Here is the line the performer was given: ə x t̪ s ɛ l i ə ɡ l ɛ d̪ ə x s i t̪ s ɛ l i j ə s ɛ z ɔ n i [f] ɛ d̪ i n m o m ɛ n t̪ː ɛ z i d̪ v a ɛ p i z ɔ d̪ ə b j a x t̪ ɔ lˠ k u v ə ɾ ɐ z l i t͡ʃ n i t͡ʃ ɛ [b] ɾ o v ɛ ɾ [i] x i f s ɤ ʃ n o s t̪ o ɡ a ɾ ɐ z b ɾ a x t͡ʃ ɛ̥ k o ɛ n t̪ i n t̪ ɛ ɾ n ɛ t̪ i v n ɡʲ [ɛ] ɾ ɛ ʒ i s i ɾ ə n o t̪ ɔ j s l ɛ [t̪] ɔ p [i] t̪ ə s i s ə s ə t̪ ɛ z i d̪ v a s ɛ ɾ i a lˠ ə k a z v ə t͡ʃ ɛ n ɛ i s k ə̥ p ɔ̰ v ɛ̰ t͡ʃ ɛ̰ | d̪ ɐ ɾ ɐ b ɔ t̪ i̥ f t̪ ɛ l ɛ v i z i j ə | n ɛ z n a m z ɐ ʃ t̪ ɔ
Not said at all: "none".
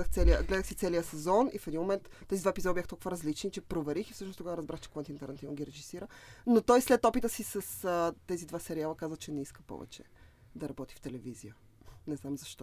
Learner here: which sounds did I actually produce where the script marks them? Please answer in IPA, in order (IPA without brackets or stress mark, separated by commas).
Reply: f, p, i, i, t̪, i